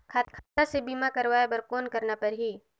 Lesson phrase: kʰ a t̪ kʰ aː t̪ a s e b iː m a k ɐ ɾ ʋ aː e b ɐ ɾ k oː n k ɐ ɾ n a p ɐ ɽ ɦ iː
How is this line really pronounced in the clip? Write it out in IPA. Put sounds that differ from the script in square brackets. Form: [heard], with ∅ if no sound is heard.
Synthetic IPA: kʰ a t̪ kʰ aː t̪ a s e b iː m a k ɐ ɾ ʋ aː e b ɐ ɾ k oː n k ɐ ɾ n a p ɐ [ɾ] ɦ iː